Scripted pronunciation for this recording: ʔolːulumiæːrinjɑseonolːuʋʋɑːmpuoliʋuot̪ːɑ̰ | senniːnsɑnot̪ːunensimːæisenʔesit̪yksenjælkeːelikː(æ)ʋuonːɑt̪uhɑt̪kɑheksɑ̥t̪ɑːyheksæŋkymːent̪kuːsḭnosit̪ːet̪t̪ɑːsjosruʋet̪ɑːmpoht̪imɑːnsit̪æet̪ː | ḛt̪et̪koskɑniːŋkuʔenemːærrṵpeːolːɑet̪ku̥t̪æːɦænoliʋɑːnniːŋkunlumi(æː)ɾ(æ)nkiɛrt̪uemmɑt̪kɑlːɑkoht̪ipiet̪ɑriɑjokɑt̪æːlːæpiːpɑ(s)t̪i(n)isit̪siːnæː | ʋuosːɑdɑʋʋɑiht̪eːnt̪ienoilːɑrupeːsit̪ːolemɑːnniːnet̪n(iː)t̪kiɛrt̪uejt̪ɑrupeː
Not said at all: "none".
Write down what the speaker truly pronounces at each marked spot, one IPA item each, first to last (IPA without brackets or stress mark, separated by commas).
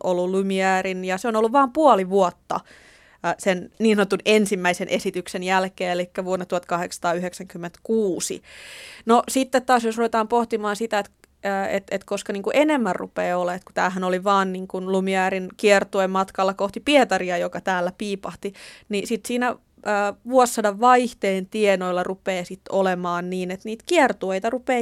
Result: æ, æː, i, h, n, iː